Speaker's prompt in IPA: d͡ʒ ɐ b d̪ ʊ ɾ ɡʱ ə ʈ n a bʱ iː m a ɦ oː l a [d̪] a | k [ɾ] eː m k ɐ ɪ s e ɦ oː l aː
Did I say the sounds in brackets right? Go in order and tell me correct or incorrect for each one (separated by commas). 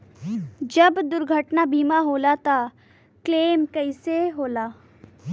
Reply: incorrect, incorrect